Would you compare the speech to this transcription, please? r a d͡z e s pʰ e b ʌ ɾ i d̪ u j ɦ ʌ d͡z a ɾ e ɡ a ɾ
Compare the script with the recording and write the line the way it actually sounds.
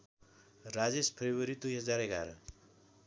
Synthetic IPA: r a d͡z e s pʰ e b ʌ ɾ i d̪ u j ɦ ʌ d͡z a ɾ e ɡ a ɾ